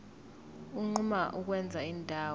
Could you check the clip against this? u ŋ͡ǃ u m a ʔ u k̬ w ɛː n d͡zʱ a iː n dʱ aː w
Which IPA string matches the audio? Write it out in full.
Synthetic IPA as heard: u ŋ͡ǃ u m a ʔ u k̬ w ɛ n d͡zʱ a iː n dʱ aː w